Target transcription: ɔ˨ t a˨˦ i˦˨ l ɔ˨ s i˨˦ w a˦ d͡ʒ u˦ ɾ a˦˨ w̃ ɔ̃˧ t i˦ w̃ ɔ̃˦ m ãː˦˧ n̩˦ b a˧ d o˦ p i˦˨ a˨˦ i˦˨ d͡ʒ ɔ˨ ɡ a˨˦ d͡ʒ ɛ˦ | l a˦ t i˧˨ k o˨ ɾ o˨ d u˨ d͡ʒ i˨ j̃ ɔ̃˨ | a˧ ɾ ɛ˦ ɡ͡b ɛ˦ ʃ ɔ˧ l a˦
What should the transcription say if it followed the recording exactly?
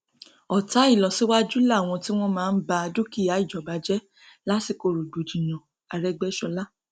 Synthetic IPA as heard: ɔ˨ t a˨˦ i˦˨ l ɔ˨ s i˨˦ w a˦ d͡ʒ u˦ l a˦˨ w̃ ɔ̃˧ t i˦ w̃ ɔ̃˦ m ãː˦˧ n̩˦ b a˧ d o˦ k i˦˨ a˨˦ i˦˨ d͡ʒ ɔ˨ b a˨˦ d͡ʒ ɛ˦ | l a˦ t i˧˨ k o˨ ɾ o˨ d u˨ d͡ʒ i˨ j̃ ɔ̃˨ | a˧ ɾ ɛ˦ ɡ͡b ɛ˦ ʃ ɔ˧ l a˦